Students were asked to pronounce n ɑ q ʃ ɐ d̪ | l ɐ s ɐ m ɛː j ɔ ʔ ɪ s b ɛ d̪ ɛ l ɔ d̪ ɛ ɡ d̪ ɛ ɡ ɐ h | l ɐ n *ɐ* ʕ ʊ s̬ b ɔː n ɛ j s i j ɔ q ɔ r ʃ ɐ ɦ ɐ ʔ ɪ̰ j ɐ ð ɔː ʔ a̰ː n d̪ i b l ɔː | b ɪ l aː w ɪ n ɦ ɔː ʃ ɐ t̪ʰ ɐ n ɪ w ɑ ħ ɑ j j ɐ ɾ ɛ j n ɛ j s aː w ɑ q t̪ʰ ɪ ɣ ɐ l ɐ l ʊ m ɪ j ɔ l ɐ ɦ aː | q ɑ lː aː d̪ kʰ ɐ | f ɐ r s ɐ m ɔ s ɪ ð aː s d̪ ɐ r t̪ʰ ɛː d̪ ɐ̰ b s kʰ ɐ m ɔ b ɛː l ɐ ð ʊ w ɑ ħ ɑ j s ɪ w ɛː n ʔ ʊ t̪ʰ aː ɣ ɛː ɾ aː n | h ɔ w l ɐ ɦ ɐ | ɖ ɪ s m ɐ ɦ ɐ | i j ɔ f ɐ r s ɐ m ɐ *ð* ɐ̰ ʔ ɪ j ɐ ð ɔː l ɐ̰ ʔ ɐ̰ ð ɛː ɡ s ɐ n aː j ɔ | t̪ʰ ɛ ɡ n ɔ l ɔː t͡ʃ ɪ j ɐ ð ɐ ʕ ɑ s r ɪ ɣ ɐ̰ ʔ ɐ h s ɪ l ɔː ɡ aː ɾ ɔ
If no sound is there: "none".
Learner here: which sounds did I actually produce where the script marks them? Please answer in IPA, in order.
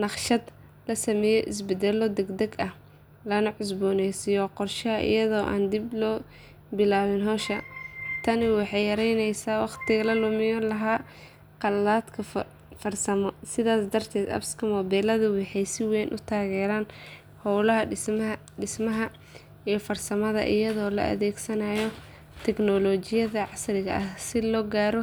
ɐ, ð

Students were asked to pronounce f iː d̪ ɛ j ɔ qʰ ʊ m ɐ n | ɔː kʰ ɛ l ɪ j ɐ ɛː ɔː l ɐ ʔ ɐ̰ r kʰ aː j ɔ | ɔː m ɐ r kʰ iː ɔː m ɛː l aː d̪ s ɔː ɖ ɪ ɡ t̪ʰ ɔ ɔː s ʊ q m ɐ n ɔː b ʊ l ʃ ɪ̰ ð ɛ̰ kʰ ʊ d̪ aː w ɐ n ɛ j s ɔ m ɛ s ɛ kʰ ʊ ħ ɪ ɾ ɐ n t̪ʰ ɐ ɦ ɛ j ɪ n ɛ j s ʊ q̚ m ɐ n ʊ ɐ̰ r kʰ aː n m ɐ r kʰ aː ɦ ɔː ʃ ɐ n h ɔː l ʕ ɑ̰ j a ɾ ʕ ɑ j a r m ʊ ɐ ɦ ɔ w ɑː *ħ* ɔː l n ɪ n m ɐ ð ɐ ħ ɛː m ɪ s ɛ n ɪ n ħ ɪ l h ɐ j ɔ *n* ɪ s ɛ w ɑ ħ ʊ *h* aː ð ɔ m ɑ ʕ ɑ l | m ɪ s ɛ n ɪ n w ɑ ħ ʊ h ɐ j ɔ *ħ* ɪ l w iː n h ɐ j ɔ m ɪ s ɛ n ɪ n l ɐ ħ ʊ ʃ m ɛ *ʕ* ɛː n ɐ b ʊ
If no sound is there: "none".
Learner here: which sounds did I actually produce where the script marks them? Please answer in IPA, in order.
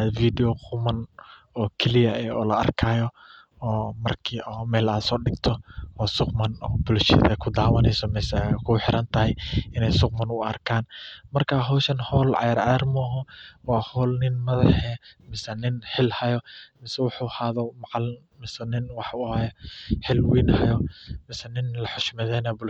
h, m, h, ħ, ð

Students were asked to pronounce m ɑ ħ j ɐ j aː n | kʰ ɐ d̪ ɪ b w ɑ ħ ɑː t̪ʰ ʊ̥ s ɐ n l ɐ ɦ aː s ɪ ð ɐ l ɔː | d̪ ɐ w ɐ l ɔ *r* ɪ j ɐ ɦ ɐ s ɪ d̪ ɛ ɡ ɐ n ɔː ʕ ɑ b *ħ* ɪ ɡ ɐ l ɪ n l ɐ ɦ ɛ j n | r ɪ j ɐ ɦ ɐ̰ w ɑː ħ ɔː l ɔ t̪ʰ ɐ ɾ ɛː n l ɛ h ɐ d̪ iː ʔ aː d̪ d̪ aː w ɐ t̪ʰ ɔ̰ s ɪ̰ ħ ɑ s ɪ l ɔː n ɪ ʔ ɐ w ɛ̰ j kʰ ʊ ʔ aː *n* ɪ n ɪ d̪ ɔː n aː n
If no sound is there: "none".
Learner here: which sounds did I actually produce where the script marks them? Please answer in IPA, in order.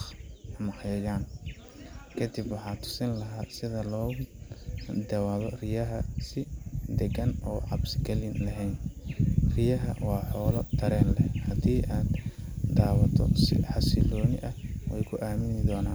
r, s, m

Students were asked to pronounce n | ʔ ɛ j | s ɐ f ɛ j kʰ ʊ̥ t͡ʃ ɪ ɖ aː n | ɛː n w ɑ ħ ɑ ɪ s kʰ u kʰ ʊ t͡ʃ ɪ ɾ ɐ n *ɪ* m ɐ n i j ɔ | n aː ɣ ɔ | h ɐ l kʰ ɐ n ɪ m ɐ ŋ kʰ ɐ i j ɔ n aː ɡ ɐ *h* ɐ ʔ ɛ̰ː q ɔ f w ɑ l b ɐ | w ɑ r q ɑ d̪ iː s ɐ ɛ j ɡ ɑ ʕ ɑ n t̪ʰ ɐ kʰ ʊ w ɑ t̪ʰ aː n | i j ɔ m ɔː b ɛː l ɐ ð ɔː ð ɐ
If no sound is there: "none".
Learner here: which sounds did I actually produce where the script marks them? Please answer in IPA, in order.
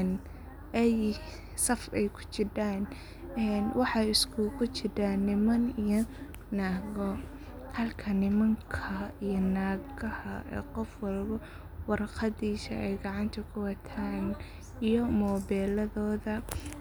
ɪ, h

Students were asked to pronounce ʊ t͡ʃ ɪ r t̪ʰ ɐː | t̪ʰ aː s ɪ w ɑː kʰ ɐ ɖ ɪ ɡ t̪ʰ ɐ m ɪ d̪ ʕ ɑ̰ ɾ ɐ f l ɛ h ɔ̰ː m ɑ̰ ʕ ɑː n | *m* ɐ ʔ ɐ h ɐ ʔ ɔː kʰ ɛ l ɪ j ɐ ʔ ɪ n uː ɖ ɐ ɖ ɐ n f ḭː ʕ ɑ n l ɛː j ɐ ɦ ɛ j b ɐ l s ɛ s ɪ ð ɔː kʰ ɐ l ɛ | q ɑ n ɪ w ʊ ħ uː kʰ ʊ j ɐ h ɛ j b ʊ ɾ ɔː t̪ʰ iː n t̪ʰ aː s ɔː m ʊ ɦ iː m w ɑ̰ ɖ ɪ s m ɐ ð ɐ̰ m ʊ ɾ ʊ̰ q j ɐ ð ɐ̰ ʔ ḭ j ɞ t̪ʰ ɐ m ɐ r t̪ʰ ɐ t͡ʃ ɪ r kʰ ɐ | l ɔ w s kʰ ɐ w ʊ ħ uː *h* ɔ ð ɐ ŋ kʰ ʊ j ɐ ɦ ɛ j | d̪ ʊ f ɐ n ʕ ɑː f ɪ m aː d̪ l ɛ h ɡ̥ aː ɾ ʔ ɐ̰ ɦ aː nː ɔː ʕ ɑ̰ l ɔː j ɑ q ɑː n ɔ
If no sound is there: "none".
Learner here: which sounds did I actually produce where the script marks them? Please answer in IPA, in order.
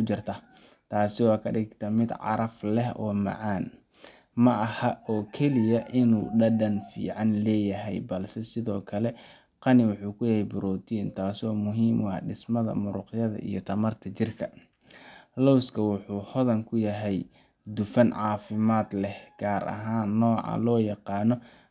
m, h

